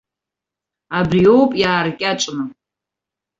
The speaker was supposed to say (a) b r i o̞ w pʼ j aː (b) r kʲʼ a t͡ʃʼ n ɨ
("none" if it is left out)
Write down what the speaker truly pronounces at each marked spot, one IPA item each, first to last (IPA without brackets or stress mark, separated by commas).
a, none